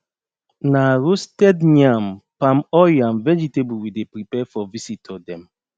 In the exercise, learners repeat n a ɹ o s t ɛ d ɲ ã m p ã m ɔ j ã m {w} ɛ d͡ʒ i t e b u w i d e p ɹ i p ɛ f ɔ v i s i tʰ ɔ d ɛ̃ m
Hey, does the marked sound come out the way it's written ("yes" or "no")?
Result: no